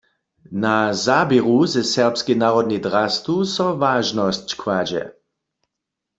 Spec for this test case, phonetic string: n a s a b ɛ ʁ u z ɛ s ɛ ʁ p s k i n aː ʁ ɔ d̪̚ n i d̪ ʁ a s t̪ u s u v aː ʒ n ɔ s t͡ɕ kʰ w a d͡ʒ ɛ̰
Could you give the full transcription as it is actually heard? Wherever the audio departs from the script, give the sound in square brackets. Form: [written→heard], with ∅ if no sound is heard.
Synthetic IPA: n a [s→z] a b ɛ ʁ u z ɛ s ɛ ʁ p s k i n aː ʁ ɔ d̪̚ n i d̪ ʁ a s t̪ u s [u→ɔ] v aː ʒ n ɔ s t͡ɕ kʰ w a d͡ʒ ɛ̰